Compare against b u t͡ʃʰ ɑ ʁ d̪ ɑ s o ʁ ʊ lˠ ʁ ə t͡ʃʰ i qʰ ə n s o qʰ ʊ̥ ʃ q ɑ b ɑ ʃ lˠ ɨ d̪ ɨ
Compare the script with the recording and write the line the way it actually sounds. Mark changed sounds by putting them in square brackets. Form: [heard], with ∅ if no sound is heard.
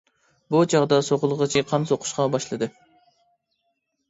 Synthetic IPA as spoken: b u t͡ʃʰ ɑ ʁ d̪ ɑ s o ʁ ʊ lˠ ʁ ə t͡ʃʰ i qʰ [ɑ] n s o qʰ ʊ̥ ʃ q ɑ b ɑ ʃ lˠ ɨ d̪ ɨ